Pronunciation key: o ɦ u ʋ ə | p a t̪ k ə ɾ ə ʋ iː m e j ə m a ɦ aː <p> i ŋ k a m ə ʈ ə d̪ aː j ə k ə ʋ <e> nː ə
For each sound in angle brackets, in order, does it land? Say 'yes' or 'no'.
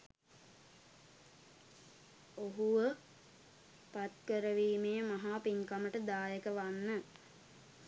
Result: yes, no

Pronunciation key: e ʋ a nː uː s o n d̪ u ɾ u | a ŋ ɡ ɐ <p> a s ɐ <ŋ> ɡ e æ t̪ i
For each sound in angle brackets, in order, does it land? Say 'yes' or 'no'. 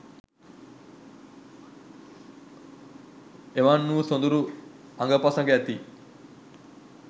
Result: yes, yes

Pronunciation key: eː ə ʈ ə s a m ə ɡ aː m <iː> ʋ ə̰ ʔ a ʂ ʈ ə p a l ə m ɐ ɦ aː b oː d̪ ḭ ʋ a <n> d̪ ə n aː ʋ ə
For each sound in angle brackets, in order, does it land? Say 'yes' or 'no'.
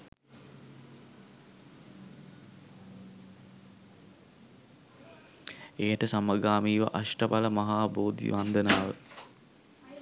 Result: yes, yes

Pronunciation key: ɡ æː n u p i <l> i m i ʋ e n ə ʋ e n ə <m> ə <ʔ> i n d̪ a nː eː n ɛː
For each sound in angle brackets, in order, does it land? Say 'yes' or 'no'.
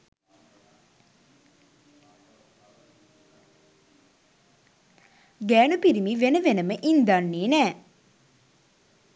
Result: no, yes, yes

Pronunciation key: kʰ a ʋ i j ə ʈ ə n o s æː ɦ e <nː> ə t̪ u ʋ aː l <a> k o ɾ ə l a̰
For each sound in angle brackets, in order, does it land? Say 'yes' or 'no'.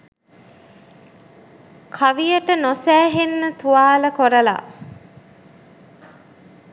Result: yes, no

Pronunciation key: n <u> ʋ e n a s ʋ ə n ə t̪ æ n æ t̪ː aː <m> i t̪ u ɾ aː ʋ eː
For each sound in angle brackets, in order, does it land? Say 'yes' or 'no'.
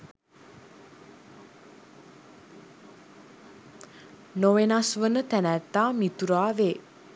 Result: no, yes

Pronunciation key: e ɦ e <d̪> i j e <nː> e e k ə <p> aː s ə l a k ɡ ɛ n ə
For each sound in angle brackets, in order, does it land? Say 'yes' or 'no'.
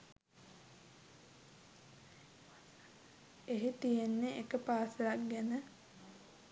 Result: no, yes, yes

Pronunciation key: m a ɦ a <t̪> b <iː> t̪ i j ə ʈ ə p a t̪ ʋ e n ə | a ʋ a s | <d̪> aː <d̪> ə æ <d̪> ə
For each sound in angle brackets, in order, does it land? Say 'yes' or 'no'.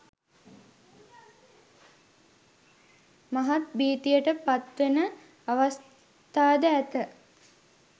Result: yes, yes, no, yes, no

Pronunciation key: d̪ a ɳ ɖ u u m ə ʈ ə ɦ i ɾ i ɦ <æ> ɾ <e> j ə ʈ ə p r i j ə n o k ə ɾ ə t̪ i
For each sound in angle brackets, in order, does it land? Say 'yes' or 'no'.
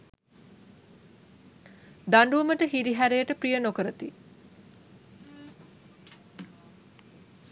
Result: yes, yes

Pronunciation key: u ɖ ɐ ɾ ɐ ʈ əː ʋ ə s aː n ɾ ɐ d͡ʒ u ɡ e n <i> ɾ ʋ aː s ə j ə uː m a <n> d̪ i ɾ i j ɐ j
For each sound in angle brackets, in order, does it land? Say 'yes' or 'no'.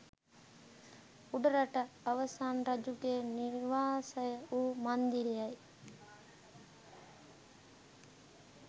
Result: yes, yes

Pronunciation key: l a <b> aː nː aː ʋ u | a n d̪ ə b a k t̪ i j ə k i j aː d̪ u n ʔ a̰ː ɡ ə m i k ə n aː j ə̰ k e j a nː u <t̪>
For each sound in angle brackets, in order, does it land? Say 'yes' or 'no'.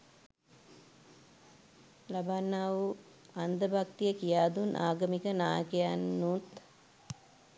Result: yes, yes

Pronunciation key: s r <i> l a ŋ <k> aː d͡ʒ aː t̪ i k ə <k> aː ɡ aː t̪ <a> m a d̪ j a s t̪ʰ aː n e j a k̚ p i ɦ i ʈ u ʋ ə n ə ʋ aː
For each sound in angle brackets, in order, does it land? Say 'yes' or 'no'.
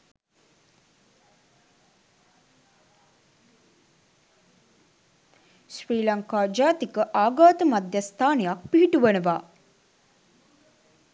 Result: no, yes, no, no

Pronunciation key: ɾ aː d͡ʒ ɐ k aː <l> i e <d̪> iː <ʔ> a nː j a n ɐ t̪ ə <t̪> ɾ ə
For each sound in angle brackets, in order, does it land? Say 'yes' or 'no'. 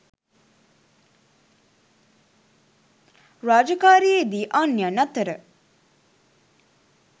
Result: no, yes, yes, no

